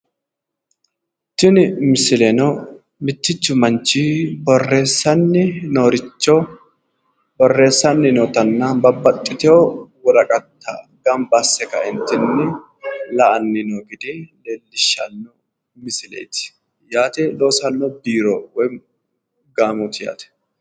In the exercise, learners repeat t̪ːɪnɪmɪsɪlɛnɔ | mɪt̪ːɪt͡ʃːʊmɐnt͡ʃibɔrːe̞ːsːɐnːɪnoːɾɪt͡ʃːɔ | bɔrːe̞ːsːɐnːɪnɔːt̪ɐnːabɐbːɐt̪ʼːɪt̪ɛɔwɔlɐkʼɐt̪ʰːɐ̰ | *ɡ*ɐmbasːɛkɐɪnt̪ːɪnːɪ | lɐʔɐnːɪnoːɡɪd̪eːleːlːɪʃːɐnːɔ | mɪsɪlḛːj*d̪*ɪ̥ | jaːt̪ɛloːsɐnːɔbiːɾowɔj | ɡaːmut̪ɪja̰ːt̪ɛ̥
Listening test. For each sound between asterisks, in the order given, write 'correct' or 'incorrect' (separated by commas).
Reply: correct, incorrect